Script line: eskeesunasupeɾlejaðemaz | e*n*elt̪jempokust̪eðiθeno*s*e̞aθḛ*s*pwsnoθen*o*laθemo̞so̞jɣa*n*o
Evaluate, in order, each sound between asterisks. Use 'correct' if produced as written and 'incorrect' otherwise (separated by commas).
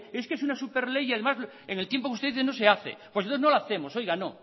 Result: incorrect, correct, incorrect, correct, correct